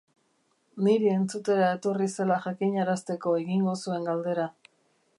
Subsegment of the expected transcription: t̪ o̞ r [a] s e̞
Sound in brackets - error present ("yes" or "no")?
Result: yes